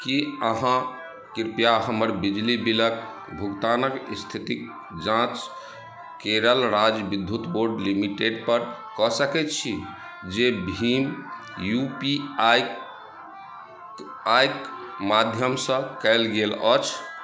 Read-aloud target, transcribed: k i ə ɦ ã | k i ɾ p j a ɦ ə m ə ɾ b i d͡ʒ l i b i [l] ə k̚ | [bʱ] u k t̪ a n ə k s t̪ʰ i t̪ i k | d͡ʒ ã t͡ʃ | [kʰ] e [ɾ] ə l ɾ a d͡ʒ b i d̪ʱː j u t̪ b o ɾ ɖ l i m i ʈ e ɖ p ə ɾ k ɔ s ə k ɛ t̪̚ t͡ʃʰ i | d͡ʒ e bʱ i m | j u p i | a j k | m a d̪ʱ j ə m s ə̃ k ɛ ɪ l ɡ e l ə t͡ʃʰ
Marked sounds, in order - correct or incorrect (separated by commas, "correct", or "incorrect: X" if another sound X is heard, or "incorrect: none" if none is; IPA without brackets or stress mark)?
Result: correct, correct, incorrect: k, correct